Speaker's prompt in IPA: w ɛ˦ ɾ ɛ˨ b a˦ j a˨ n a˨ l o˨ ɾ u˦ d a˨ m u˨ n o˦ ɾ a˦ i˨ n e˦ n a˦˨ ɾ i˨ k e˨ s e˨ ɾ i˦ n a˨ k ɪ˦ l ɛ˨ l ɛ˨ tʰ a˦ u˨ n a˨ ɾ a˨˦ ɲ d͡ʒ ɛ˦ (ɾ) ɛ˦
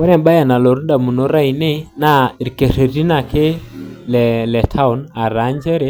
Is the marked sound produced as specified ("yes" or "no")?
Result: yes